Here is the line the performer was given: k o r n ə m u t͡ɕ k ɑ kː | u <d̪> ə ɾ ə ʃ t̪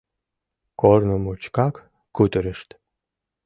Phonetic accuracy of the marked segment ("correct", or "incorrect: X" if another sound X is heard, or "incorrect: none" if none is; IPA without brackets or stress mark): incorrect: t̪